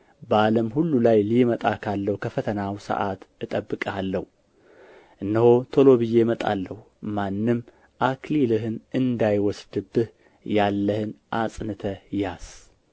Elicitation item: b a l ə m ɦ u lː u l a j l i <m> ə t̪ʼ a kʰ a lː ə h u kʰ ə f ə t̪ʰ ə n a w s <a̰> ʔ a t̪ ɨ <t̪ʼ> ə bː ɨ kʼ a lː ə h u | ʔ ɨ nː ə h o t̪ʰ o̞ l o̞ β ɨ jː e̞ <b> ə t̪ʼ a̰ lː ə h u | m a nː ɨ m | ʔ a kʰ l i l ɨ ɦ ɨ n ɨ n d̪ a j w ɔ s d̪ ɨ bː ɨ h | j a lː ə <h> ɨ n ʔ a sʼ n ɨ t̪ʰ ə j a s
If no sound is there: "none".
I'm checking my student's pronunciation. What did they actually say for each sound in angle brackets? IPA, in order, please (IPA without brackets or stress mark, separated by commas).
m, ə̰, t̪ʼ, m, h